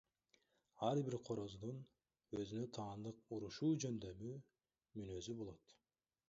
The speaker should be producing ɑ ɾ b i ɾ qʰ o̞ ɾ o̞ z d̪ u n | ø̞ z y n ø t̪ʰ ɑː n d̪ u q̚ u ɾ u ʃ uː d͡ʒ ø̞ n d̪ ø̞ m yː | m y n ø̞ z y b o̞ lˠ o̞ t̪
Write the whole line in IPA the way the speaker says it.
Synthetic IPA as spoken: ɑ ɾ b i ɾ qʰ o̞ ɾ o̞ z d̪ u n | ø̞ z y n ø t̪ʰ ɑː n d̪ ɯ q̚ u ɾ u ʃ uː d͡ʒ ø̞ n d̪ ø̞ m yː | m y n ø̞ z y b o̞ lˠ o̞ t̪